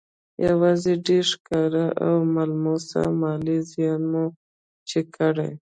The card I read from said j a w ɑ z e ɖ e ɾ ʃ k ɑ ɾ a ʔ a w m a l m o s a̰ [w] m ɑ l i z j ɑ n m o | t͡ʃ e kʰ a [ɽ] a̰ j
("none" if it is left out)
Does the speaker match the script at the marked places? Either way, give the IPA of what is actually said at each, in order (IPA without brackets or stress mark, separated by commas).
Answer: none, ɽ